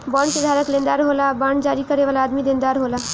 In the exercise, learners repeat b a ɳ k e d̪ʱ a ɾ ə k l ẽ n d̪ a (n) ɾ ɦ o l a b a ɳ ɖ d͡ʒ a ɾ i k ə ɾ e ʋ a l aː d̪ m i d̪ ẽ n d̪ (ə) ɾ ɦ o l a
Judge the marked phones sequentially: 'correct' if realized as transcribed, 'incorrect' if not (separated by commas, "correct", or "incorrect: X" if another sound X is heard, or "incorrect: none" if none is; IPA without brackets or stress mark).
incorrect: none, incorrect: a